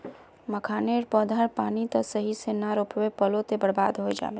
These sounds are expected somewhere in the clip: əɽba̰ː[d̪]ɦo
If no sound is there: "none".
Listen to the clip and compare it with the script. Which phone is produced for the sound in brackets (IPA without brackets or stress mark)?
d̪